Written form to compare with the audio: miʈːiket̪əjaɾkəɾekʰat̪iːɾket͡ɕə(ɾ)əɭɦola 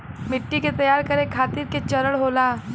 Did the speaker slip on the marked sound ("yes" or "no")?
no